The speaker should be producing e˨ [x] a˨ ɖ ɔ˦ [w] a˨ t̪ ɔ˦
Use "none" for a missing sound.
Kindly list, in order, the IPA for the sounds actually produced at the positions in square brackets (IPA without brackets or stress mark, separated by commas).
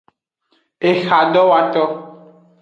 x, w